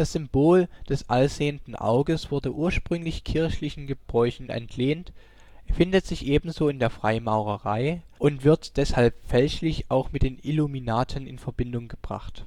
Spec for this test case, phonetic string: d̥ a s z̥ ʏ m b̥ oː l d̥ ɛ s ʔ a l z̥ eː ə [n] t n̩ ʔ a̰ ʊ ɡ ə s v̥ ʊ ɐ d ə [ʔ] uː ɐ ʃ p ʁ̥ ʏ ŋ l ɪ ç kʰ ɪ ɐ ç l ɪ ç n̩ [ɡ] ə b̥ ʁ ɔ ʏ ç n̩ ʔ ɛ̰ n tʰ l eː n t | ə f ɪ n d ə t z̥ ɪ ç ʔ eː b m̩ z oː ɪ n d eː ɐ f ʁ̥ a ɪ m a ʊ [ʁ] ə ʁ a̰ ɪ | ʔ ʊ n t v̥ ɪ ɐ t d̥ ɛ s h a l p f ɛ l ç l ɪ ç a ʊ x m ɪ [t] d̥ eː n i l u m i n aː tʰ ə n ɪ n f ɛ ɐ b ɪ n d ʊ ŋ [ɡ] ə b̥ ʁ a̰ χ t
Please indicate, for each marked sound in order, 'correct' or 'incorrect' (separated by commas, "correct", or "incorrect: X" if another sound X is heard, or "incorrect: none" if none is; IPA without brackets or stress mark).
correct, correct, correct, correct, correct, correct